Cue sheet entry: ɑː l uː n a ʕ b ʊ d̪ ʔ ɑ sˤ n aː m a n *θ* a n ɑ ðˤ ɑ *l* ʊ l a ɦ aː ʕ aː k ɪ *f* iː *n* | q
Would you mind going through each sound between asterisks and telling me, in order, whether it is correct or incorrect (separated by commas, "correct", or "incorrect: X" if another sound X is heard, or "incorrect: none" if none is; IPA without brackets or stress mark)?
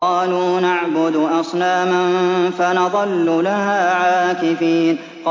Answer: incorrect: f, incorrect: lː, correct, correct